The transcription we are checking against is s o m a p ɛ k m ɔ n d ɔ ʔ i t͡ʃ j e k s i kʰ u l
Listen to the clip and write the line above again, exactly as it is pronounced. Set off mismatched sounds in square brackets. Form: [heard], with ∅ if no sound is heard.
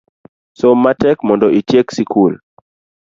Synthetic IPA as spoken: s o m a [t] ɛ k m ɔ n d ɔ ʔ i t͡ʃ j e k s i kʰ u l

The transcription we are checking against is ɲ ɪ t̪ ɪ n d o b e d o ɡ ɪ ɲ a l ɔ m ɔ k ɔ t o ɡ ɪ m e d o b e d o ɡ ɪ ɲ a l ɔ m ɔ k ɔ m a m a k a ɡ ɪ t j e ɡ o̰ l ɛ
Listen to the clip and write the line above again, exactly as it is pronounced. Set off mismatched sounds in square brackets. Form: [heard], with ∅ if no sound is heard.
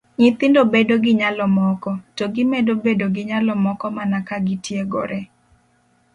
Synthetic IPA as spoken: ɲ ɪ t̪ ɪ n d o b e d o ɡ ɪ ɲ a l ɔ m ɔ k ɔ t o ɡ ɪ m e d o b e d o ɡ ɪ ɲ a l ɔ m ɔ k ɔ m a [n] a k a ɡ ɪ t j e ɡ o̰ [ɾ] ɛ

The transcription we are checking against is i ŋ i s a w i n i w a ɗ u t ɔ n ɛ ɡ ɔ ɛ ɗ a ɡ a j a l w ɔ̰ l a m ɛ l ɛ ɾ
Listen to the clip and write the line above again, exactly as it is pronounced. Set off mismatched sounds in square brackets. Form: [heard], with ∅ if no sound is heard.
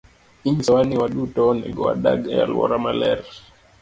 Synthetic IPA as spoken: i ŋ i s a w [a] n i w a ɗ u t ɔ n ɛ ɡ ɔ [a] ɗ a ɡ a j a l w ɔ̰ [ɾ] a m [a] l ɛ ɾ

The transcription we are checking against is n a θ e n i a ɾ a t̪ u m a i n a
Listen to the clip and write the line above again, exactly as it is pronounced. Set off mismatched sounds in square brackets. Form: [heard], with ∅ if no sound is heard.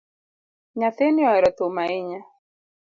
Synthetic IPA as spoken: [ɲ] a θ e n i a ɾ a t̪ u m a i [ɲ] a

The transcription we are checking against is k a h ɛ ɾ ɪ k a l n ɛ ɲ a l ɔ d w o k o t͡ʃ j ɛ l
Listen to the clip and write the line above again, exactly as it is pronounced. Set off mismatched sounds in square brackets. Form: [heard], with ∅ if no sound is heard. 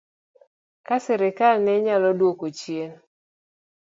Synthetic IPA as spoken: k a [s] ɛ ɾ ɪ k a l n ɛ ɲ a l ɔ d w o k o t͡ʃ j [e] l

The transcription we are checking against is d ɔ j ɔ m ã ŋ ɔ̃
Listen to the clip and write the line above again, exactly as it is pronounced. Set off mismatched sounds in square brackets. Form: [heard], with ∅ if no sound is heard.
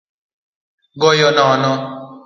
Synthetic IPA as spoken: [ɡ] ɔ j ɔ [n] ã [n] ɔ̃

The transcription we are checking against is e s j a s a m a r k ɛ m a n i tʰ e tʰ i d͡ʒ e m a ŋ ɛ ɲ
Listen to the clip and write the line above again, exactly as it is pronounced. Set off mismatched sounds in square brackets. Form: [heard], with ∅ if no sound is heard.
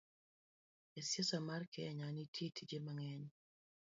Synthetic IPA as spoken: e s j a s a m a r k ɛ [ɲ] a n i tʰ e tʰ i d͡ʒ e m a ŋ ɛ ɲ

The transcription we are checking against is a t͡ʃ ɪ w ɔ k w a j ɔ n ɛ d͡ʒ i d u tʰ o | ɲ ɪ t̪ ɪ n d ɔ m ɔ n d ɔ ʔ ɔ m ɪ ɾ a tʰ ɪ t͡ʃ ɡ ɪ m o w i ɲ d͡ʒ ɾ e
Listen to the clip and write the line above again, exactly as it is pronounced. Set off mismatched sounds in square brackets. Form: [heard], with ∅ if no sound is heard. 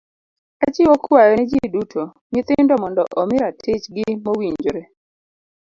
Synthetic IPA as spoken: a t͡ʃ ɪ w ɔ k w a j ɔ n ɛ d͡ʒ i d u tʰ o | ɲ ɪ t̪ ɪ n d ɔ m ɔ n d ɔ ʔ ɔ m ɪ ɾ a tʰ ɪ t͡ʃ ɡ ɪ m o w i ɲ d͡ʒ ɾ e

